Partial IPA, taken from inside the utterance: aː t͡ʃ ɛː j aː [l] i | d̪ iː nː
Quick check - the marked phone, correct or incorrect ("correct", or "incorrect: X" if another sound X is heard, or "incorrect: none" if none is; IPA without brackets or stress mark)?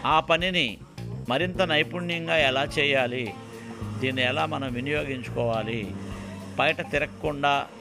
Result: correct